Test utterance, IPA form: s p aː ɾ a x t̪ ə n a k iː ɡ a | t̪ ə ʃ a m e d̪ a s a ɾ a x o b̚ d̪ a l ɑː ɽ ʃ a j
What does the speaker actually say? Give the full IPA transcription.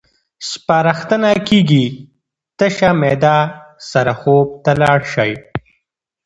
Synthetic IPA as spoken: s p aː ɾ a x t̪ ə n a k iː ɡ i | t̪ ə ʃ a m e d̪ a s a ɾ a x o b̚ t̪ a l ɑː ɽ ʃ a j